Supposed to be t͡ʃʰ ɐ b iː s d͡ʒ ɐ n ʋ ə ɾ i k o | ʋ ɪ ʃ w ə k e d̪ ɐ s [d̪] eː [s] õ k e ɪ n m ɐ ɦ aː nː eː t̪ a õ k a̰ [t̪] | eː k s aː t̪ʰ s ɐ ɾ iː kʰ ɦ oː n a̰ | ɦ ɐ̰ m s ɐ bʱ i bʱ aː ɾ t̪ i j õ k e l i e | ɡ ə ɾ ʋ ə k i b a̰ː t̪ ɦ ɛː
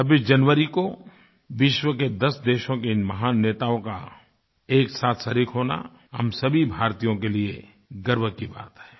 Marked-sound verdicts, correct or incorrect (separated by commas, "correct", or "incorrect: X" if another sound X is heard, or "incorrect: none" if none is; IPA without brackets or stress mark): correct, incorrect: ʃ, incorrect: none